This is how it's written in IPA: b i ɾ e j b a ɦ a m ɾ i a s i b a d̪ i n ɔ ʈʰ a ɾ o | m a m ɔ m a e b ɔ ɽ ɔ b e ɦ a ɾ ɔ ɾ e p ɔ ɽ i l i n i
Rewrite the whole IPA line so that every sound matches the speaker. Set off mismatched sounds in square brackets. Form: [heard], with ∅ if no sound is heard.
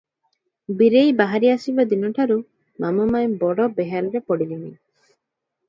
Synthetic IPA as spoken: b i ɾ e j b a ɦ a [∅] ɾ i a s i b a d̪ i n ɔ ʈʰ a ɾ [u] | m a m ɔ m a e b ɔ ɽ ɔ b e ɦ a ɾ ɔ ɾ e p ɔ ɽ i l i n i